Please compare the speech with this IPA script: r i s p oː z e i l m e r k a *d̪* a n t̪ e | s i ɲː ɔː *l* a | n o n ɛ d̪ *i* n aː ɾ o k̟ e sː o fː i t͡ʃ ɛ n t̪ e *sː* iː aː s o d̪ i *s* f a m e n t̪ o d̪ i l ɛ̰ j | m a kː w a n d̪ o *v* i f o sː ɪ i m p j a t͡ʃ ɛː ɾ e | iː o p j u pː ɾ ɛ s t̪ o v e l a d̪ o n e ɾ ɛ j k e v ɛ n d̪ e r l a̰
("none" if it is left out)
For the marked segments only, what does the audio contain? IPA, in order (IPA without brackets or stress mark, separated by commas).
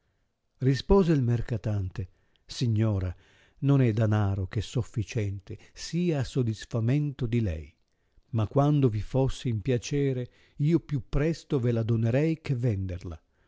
t̪, ɾ, a, s, s, v